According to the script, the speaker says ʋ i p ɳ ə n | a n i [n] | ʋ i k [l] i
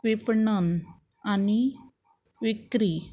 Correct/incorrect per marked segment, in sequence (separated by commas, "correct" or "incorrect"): incorrect, incorrect